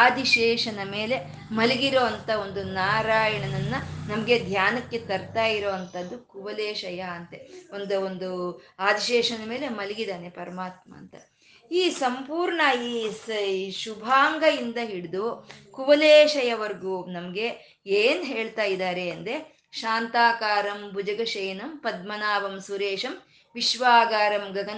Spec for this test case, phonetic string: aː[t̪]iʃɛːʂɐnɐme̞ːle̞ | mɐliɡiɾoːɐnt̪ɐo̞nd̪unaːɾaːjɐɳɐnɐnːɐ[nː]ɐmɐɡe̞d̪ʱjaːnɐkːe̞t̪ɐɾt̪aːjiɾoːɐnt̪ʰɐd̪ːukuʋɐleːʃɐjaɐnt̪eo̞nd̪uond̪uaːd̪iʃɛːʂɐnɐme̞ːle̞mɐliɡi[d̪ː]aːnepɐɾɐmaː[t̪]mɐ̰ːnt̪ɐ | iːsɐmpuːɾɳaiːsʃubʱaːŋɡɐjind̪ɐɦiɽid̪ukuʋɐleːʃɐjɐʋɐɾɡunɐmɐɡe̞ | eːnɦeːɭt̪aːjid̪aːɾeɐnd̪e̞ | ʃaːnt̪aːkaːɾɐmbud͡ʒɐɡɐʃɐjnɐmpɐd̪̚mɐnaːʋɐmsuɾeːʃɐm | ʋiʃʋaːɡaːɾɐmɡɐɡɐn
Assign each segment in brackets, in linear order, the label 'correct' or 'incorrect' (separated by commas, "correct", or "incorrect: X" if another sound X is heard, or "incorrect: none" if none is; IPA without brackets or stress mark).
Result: incorrect: d̪, incorrect: n, incorrect: d̪, correct